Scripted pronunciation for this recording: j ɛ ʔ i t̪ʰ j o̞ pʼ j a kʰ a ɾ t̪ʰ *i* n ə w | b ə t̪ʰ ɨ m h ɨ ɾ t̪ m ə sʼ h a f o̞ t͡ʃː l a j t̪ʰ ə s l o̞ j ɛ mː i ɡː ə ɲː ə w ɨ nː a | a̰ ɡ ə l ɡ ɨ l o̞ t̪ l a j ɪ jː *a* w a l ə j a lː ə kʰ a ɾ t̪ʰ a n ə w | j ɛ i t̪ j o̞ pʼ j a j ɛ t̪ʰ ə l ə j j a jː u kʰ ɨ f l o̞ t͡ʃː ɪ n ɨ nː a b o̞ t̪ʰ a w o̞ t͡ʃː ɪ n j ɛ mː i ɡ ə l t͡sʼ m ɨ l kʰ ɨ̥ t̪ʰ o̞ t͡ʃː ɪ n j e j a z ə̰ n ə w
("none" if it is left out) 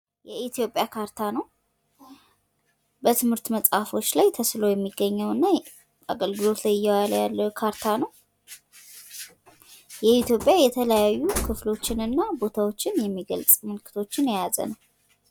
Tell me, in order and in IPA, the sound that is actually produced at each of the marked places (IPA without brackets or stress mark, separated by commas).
a, ɛ